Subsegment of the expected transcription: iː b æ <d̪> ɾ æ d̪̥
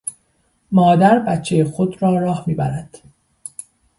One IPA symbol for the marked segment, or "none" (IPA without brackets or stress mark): none